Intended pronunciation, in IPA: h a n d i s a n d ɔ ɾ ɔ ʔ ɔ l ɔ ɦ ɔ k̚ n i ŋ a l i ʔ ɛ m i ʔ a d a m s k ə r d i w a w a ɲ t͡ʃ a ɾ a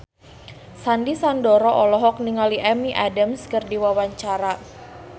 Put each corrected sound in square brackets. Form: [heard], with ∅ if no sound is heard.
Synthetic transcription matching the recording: [s] a n d i s a n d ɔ ɾ ɔ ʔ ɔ l ɔ ɦ ɔ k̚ n i ŋ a l i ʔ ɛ m i ʔ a d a m s k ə r d i w a w a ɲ t͡ʃ a ɾ a